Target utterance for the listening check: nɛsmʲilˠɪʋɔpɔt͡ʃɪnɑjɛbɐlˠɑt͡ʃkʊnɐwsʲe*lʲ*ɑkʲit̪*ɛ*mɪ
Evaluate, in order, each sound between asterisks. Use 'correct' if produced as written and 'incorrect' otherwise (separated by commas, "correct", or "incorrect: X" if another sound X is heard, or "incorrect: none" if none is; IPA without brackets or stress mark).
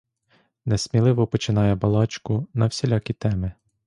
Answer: correct, correct